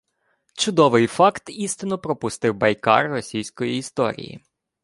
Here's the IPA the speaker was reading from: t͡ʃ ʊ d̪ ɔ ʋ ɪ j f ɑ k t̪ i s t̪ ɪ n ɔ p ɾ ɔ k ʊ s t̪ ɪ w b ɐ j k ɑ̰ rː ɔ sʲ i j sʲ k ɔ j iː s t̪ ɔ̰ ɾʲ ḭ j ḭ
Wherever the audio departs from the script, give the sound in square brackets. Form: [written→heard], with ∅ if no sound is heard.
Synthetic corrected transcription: t͡ʃ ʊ d̪ ɔ ʋ ɪ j f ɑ k t̪ i s t̪ ɪ n ɔ p ɾ ɔ [k→p] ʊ s t̪ ɪ w b ɐ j k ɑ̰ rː ɔ sʲ i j sʲ k ɔ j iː s t̪ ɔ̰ ɾʲ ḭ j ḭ